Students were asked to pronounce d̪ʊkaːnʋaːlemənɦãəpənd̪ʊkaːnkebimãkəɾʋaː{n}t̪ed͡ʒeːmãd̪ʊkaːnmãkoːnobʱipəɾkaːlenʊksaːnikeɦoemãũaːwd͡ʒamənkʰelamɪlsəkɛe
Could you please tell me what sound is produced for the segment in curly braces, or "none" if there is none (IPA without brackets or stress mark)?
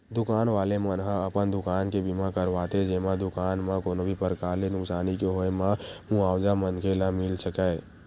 none